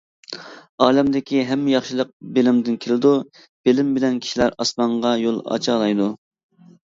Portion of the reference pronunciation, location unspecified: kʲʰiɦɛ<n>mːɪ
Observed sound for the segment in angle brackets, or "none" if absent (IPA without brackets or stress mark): none